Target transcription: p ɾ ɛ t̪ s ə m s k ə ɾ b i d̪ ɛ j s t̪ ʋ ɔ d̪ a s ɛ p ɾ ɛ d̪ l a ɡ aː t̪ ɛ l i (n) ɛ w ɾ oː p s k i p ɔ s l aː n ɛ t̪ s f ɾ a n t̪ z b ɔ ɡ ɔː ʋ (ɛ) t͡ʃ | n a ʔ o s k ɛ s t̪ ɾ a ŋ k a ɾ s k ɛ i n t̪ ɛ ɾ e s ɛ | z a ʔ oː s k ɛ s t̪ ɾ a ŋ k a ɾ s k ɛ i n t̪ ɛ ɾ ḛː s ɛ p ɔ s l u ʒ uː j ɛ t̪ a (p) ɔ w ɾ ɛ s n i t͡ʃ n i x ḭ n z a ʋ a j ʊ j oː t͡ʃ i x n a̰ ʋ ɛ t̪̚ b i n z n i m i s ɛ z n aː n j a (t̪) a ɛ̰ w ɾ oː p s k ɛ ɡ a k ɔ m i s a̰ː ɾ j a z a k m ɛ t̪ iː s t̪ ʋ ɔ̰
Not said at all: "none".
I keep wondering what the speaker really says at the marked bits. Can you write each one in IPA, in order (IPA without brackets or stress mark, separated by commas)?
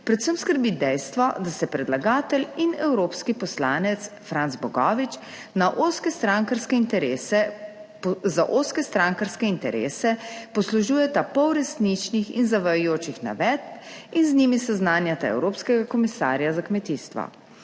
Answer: n, i, p, t̪